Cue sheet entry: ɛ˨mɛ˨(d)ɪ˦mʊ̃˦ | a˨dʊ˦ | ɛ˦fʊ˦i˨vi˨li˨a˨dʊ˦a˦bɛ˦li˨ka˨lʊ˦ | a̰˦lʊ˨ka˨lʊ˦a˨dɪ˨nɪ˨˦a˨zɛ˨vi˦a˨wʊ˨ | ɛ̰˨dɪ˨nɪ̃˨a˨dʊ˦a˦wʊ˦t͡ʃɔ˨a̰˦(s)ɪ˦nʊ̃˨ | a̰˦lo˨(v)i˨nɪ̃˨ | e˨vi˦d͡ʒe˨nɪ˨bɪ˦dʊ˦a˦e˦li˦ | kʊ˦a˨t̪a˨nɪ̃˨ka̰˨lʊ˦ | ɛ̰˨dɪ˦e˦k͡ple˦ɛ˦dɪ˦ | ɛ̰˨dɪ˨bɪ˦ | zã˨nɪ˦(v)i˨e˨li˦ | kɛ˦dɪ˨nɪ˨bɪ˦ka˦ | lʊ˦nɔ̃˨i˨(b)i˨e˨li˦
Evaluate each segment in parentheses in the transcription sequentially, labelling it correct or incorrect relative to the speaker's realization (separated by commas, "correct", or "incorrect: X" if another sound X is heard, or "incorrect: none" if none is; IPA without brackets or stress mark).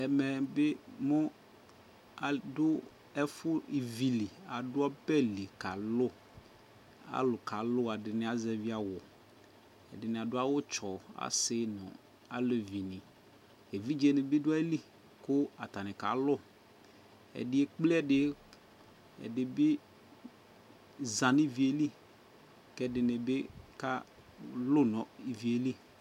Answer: incorrect: b, correct, correct, correct, incorrect: v